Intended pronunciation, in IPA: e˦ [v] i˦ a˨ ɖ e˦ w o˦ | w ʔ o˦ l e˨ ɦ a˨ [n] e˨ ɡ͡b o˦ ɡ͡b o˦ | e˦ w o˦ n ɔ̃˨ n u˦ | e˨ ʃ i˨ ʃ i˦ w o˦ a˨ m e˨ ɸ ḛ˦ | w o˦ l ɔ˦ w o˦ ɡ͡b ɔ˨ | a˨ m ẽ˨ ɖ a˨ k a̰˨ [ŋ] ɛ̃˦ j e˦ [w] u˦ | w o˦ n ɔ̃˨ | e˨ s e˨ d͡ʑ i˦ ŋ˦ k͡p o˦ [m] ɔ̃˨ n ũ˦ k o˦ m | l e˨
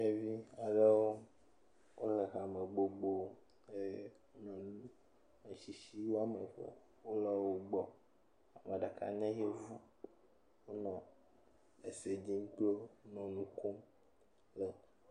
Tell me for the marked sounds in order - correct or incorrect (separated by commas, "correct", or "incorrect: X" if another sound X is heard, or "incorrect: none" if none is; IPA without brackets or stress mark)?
correct, incorrect: m, incorrect: ɲ, incorrect: v, incorrect: n